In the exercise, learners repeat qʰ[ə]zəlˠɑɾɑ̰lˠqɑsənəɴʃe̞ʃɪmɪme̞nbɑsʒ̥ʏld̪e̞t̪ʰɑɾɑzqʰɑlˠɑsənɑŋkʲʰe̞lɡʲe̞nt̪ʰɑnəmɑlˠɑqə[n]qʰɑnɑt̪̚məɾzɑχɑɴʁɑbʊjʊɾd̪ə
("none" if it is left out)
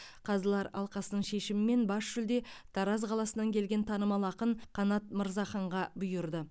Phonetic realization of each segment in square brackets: ɑ, n

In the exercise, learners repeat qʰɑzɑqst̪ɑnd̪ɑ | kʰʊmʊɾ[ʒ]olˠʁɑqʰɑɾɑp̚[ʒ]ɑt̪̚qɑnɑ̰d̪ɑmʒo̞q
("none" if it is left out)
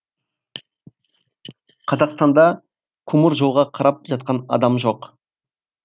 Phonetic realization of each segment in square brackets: ʒ, ʒ

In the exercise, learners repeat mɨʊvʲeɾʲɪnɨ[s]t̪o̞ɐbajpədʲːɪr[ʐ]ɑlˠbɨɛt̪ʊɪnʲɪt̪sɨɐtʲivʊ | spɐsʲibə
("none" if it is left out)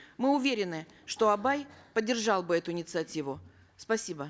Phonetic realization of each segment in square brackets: ʂ, ʐ

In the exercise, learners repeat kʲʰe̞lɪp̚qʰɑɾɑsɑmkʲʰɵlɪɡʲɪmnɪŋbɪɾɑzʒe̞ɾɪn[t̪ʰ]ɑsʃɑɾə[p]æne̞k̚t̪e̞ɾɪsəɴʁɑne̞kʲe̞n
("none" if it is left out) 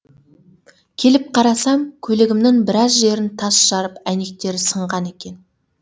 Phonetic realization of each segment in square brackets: t̪ʰ, p

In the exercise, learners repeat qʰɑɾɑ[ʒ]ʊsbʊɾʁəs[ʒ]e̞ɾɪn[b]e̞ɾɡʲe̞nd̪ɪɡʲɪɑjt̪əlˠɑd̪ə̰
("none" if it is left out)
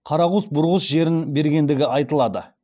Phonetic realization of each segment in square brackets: ʁ, ʒ, b

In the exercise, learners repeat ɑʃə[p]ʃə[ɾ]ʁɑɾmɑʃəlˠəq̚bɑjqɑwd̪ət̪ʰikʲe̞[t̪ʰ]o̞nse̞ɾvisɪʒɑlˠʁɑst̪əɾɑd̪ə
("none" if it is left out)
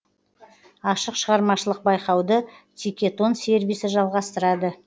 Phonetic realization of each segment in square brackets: q, none, t̪

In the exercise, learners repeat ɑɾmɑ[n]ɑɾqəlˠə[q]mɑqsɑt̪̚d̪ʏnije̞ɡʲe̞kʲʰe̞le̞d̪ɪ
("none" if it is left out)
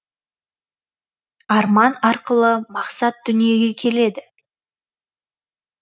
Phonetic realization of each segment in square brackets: n, none

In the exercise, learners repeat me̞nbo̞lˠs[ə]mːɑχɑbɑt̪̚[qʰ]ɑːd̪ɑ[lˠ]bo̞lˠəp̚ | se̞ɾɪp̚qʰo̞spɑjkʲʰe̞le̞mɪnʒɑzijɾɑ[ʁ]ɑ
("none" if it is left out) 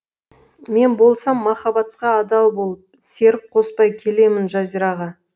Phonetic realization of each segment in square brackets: ɑ, q, lˠ, ʁ

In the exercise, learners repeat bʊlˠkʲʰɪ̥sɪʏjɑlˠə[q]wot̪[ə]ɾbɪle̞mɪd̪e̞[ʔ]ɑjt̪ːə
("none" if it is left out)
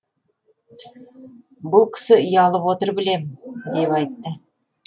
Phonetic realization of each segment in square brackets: p, ə, p

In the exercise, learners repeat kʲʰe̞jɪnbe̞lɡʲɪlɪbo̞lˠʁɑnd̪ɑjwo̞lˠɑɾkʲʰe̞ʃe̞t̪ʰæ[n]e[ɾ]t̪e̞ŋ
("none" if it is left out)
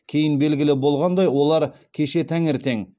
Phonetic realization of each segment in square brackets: ŋ, ɾ

